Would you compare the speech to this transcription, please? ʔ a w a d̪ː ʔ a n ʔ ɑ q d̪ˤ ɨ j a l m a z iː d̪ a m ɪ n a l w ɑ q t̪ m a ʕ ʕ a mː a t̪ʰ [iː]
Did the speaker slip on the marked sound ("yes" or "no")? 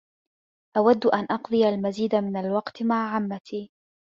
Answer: no